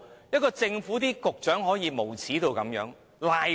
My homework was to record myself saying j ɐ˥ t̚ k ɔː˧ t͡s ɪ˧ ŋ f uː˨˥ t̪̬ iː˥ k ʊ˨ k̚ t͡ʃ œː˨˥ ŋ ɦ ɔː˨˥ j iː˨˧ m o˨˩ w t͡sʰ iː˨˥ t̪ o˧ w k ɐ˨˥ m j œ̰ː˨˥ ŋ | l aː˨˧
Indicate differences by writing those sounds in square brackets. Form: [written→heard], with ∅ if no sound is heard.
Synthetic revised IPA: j ɐ˥ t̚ k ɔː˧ t͡s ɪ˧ ŋ f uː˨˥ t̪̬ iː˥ k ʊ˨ k̚ t͡ʃ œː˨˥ ŋ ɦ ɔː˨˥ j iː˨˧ m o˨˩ w t͡sʰ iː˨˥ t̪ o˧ w k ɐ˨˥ m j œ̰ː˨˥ ŋ | l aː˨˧